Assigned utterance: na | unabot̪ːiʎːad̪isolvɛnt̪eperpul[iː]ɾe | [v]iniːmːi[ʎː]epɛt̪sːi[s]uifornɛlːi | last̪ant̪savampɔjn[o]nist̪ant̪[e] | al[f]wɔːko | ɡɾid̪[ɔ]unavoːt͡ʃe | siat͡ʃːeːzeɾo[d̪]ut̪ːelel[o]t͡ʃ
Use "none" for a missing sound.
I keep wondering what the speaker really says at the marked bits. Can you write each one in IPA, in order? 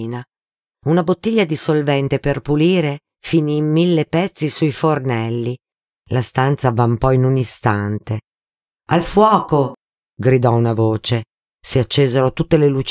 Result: iː, f, lː, s, u, e, f, ɔ, t̪, u

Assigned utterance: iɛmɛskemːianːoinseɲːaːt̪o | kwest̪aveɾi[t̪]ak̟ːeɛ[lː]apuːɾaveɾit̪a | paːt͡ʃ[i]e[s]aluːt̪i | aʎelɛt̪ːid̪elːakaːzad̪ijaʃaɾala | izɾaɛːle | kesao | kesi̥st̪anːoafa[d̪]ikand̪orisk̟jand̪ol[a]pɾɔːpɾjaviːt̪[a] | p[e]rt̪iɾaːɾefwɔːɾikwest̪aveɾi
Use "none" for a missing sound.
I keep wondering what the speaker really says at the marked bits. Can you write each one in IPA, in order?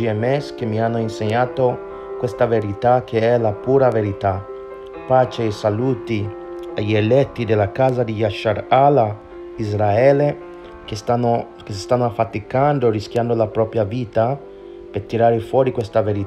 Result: t̪, l, e, s, t̪, a, a, e

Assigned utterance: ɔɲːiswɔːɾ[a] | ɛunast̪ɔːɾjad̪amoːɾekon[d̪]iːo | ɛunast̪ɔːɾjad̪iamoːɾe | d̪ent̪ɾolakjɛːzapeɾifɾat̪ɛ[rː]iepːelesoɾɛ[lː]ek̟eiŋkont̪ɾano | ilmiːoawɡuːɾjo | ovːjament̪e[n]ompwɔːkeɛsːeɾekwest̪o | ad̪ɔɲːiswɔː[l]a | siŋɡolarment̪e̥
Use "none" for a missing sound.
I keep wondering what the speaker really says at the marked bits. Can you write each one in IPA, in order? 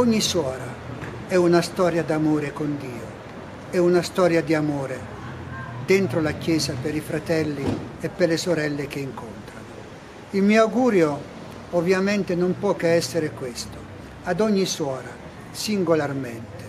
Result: a, d̪, lː, lː, n, ɾ

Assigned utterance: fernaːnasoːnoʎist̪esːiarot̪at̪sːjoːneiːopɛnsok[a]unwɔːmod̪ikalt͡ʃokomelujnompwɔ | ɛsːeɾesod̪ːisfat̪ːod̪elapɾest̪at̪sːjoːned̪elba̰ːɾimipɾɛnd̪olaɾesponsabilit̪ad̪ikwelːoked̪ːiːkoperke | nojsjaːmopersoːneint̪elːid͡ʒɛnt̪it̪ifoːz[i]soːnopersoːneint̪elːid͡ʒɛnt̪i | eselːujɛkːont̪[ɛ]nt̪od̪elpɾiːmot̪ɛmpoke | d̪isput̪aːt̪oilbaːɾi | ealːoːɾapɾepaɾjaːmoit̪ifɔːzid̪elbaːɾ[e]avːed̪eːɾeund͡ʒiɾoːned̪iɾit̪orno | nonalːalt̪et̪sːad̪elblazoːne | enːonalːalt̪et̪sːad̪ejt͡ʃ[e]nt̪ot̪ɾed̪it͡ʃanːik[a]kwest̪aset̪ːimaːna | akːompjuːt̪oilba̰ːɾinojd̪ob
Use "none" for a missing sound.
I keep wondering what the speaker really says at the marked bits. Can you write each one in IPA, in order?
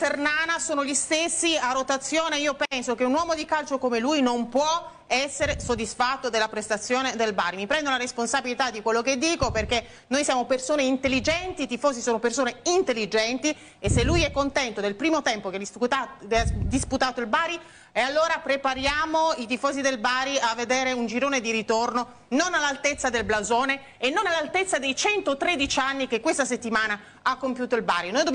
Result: e, i, ɛ, i, ɛ, e

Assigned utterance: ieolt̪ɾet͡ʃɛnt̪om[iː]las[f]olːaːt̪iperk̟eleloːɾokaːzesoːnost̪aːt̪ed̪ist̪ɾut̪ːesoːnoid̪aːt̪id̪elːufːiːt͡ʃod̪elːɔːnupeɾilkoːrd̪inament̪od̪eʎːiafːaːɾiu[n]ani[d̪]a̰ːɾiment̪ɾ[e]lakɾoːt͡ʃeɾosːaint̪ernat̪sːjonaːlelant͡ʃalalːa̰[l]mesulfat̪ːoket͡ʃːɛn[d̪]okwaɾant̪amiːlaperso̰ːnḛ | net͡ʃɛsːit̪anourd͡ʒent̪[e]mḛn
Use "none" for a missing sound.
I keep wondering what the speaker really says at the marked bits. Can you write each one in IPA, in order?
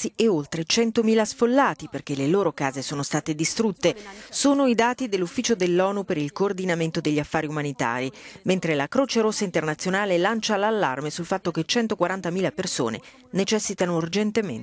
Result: iː, f, m, t̪, e, r, t̪, e

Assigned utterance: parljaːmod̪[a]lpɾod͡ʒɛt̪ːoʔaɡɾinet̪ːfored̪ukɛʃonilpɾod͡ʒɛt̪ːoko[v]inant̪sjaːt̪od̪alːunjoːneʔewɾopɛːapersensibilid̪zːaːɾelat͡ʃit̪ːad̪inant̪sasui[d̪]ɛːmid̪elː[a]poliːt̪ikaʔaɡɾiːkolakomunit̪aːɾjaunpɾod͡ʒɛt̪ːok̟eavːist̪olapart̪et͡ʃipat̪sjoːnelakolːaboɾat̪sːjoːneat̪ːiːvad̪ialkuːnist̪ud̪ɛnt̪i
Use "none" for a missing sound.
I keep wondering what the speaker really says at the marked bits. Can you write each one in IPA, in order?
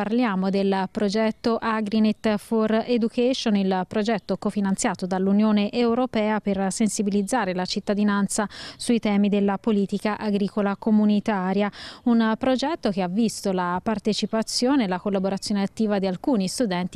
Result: e, f, t̪, a

